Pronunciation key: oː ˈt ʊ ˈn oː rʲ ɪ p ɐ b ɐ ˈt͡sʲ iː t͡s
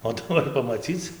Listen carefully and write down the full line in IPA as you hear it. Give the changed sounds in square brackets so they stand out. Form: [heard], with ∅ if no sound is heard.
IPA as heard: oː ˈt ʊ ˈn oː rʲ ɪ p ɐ [m] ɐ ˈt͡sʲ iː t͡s